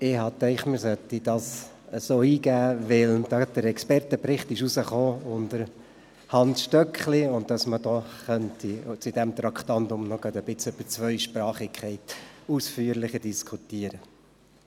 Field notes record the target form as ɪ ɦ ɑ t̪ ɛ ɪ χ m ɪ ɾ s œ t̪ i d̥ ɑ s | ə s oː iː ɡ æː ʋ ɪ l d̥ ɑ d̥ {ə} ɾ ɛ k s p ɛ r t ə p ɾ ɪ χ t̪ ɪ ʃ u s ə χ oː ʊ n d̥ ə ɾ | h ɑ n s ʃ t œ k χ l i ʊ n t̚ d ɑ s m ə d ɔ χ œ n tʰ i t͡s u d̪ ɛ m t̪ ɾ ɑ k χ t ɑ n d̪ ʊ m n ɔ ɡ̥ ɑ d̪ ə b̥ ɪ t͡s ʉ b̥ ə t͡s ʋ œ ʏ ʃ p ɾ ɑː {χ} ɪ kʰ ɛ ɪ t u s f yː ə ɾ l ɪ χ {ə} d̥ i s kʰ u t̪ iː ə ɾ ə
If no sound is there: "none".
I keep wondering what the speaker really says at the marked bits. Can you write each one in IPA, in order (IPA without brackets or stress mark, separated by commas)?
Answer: ə, χ, ə